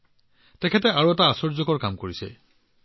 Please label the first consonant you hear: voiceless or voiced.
voiceless